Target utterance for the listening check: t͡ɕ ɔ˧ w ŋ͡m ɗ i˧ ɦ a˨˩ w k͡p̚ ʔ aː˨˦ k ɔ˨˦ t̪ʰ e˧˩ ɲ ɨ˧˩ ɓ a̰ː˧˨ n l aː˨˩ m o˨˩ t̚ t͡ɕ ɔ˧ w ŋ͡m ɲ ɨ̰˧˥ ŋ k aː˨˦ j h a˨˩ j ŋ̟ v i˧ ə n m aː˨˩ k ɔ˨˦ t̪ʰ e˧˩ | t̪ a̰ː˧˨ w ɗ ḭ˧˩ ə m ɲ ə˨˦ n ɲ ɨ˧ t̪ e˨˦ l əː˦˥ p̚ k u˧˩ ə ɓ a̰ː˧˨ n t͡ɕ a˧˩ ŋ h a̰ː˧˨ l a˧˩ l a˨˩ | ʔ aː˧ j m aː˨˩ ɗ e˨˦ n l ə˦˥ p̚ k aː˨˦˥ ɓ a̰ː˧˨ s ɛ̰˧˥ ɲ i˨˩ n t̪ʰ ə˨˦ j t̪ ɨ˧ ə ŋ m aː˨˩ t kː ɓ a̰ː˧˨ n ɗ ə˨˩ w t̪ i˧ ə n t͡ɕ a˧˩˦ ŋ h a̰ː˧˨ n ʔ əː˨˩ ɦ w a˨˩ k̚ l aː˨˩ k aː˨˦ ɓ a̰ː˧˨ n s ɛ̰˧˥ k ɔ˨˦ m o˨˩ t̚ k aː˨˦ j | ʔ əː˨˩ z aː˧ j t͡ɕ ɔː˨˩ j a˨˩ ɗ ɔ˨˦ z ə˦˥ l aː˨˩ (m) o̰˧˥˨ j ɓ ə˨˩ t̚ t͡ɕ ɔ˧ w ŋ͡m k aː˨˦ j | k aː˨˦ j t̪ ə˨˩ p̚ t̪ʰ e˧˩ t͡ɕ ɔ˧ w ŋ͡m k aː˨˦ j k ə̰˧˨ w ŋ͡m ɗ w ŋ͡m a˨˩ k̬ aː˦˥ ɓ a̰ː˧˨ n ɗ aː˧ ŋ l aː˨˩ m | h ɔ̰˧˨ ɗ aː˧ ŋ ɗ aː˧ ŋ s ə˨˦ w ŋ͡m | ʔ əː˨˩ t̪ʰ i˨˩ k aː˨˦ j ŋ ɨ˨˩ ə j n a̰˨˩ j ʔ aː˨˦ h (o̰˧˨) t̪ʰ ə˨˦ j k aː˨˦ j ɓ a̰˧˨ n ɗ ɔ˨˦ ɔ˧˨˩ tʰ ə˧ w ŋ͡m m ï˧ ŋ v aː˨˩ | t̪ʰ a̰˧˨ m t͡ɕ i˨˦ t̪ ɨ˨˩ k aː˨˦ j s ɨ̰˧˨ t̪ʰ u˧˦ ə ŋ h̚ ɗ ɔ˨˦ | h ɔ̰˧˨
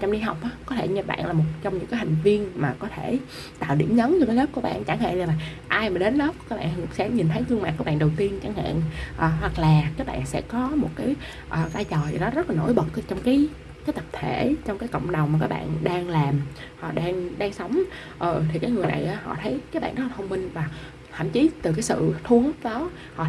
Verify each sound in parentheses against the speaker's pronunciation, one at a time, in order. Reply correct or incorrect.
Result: incorrect: n, incorrect: ɔ̰˧˨

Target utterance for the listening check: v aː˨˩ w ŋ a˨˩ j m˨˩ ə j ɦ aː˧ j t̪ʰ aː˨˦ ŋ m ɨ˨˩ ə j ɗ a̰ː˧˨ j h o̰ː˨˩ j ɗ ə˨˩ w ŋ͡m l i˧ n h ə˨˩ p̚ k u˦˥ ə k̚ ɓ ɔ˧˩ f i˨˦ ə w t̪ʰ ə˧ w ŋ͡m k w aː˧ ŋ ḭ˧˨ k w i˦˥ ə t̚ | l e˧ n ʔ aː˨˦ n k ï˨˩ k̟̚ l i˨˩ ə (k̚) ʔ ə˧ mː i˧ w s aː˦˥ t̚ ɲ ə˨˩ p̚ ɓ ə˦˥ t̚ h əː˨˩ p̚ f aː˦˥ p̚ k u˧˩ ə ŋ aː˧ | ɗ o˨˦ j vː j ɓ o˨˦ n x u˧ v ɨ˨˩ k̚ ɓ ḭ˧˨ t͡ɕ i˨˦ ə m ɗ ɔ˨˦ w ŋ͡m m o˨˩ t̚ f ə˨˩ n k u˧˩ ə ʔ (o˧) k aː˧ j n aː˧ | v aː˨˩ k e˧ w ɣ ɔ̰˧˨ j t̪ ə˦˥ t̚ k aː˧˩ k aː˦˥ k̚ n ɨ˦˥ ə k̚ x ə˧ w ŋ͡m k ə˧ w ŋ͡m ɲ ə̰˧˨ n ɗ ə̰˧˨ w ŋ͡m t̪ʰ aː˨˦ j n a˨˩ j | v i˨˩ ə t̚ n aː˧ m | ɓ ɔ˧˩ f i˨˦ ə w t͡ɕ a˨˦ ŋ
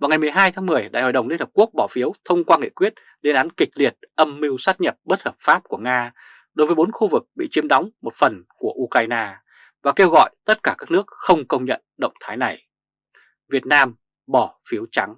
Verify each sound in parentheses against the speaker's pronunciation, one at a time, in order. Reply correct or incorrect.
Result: incorrect: t̚, incorrect: u˧

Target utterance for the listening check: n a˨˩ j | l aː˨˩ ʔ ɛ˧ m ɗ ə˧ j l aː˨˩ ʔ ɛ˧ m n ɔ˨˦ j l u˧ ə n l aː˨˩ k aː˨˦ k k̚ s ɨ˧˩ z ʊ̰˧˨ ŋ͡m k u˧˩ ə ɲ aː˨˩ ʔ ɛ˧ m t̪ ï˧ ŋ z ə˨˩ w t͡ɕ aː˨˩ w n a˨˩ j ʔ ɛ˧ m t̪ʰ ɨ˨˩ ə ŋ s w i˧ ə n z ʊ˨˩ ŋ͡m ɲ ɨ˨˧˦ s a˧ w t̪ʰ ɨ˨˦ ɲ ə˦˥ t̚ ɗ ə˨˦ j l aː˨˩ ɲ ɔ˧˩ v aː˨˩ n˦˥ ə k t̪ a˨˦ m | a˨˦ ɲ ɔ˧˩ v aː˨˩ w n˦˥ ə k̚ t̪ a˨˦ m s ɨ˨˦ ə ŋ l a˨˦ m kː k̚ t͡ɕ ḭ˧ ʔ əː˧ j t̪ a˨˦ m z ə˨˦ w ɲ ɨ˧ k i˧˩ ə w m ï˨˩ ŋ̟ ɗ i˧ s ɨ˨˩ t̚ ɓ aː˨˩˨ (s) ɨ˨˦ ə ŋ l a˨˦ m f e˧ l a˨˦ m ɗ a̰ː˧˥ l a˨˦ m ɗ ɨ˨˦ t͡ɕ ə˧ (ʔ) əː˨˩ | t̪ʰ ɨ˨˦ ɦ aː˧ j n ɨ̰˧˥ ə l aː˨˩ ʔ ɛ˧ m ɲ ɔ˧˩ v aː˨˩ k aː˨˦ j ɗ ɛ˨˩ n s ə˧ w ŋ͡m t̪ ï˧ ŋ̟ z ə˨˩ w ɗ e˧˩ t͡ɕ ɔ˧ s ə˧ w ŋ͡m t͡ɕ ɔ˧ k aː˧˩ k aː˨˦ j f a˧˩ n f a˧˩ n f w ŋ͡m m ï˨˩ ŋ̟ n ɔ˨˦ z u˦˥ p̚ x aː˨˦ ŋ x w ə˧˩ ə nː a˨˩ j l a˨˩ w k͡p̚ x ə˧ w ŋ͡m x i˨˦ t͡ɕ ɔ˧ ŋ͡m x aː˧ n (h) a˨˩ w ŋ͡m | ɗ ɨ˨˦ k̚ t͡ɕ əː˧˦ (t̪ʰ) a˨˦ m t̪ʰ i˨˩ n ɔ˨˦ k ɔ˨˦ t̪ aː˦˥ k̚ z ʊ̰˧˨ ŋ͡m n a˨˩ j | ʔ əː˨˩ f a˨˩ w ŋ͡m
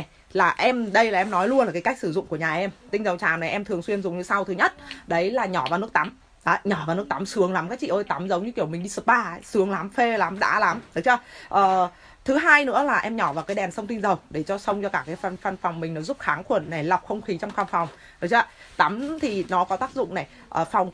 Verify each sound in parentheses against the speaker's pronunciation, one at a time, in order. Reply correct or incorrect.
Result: correct, correct, incorrect: f, incorrect: t̪

